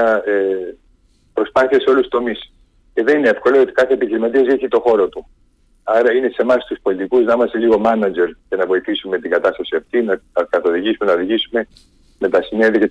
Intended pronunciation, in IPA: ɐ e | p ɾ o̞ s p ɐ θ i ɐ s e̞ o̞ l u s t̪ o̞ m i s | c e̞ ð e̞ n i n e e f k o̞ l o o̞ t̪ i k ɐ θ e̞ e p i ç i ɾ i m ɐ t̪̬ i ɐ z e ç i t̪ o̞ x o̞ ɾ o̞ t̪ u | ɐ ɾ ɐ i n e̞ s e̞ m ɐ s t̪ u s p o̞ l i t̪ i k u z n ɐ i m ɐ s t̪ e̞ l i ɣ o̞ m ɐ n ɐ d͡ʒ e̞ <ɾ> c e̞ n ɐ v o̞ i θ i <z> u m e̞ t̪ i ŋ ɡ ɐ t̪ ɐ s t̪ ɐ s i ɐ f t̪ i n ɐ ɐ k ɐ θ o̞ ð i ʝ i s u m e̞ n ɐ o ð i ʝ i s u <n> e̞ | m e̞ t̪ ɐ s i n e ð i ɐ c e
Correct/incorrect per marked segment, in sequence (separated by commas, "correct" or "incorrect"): correct, incorrect, incorrect